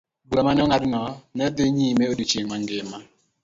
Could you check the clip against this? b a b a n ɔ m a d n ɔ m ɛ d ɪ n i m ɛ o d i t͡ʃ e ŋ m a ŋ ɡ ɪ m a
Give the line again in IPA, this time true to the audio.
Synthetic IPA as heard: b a m a n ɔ ŋ a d n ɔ n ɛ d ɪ ɲ i m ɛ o d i t͡ʃ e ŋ m a ŋ ɡ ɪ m a